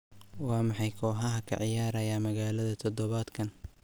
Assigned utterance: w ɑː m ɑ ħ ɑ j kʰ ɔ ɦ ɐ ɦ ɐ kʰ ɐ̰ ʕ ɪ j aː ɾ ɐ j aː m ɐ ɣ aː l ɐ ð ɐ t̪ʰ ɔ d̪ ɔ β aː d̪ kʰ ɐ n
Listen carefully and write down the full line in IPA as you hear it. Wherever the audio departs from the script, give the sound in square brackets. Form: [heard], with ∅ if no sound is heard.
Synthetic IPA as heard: w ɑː m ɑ ħ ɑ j kʰ [ɔː] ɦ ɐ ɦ ɐ kʰ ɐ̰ ʕ ɪ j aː ɾ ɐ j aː m ɐ ɣ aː l ɐ ð ɐ t̪ʰ ɔ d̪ ɔ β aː d̪ kʰ ɐ n